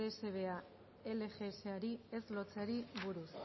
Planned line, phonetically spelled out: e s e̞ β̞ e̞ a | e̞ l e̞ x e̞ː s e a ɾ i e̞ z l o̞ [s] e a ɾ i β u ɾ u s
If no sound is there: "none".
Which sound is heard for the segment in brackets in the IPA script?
t͡s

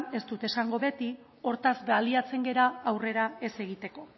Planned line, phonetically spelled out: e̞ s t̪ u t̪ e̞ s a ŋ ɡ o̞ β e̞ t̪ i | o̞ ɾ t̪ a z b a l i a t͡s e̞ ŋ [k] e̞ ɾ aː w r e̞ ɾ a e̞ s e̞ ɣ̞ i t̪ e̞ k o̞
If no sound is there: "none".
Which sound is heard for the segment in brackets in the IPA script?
ɡ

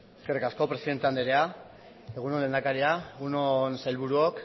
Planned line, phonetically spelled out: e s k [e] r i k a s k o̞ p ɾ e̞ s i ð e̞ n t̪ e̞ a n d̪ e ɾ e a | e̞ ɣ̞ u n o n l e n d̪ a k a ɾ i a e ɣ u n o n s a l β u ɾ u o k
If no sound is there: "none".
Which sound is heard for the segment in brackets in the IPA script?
e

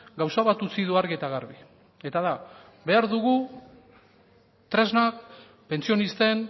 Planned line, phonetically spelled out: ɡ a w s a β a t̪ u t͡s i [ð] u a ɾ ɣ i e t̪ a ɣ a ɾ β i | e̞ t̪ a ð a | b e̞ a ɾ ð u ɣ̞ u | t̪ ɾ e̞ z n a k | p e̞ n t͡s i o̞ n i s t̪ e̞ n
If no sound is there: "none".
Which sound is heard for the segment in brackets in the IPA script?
ð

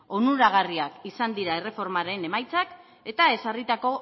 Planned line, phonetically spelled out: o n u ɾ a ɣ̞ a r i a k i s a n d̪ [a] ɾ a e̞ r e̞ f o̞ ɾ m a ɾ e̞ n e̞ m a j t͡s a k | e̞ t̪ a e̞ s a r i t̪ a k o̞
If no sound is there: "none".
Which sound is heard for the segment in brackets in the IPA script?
i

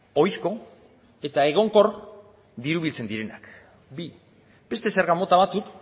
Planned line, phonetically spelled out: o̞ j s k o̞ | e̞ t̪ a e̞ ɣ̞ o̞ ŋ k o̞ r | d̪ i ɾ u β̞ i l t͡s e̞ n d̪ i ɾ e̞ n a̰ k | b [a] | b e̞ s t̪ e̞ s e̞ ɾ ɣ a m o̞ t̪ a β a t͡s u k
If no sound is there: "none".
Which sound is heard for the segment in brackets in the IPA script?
i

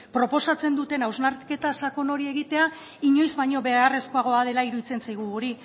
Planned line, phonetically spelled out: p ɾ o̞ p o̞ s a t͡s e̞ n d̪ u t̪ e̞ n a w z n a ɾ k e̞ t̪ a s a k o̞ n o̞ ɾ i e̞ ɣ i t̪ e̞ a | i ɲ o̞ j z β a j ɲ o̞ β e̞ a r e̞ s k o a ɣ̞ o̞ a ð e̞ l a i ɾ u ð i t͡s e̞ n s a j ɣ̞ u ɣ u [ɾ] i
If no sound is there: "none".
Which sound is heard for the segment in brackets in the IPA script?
ɾ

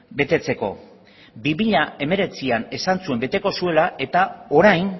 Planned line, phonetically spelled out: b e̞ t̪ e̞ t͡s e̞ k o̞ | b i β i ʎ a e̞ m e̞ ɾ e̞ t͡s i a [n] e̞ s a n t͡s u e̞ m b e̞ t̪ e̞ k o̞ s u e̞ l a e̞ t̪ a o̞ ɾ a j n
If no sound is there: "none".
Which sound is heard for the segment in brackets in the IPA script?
n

